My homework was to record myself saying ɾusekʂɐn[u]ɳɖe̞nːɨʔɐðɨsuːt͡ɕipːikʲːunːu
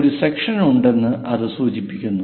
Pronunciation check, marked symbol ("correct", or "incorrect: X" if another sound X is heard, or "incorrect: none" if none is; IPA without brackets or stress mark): correct